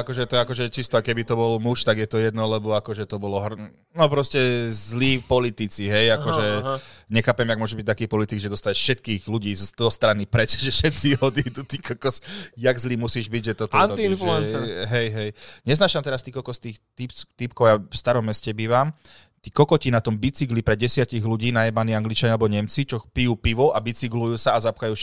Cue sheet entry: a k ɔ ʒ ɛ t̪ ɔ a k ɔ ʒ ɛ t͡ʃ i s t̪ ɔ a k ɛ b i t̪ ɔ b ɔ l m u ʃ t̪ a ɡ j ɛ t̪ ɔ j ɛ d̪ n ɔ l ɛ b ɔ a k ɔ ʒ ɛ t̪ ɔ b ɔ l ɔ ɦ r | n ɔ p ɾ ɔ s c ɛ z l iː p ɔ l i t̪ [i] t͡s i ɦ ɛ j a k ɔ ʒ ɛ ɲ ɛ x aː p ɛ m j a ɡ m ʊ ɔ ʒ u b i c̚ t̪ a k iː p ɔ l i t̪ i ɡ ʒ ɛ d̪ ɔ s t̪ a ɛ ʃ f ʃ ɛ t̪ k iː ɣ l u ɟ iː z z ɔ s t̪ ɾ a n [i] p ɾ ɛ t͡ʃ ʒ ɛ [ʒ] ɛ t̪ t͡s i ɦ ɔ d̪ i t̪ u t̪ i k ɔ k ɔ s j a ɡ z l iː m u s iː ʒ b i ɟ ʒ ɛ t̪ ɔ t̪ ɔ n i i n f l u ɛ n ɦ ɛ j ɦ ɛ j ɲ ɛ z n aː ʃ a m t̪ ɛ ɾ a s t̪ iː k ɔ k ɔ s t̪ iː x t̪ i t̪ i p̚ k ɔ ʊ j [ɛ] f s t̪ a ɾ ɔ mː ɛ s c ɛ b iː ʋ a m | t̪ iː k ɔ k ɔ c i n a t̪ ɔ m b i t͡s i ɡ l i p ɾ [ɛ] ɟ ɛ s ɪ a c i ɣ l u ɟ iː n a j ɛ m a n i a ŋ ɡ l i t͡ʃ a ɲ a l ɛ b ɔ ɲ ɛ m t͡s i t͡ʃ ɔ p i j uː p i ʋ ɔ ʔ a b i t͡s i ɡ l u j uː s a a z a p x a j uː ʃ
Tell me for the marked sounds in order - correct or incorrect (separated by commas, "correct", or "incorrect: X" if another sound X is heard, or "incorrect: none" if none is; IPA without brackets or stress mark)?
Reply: correct, correct, incorrect: ʃ, incorrect: a, correct